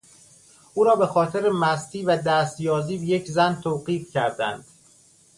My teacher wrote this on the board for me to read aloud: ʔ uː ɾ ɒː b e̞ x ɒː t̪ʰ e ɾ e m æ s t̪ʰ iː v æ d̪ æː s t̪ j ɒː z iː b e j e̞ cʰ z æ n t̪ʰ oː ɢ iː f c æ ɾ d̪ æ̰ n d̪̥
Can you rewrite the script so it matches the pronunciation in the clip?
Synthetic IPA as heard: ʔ uː ɾ ɒː b e̞ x ɒː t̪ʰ e ɾ e m æ s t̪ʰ iː v æ d̪ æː s t̪ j ɒː z iː b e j e̞ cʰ z æ n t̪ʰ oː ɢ iː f c æ ɾ d̪ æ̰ n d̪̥